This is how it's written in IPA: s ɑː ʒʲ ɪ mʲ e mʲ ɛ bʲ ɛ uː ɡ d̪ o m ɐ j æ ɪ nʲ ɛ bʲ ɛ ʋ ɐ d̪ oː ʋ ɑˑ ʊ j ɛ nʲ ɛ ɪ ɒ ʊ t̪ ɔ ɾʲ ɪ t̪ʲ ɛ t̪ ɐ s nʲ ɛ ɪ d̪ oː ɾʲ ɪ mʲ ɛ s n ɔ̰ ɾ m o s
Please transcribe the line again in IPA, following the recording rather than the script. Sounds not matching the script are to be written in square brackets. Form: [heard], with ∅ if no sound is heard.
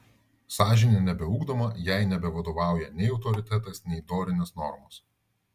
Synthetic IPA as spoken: s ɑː ʒʲ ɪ [nʲ] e [nʲ] ɛ bʲ ɛ uː ɡ d̪ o m ɐ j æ ɪ nʲ ɛ bʲ ɛ ʋ ɐ d̪ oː ʋ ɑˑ ʊ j ɛ nʲ ɛ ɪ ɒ ʊ t̪ ɔ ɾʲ ɪ t̪ʲ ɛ t̪ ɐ s nʲ ɛ ɪ d̪ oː ɾʲ ɪ [nʲ] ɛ s n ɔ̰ ɾ m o s